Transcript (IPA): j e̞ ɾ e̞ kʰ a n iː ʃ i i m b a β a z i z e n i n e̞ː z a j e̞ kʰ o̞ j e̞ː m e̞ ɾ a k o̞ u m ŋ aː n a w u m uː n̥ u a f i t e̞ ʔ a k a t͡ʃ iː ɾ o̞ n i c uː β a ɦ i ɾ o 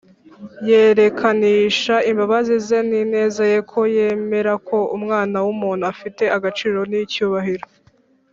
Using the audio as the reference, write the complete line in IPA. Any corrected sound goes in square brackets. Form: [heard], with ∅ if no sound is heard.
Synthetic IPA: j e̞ ɾ e̞ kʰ a n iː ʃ [a] i m b a β a z i z e n i n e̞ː z a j e̞ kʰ o̞ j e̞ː m e̞ ɾ a k o̞ u m ŋ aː n a w u m uː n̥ u a f i t e̞ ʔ a [ɡ] a t͡ʃ iː ɾ o̞ n i c uː β a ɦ i ɾ o